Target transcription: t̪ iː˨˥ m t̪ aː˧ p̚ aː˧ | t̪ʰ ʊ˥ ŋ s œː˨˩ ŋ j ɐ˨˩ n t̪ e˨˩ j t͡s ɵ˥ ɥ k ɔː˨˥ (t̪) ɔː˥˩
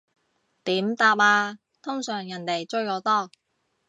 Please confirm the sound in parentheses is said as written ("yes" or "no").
yes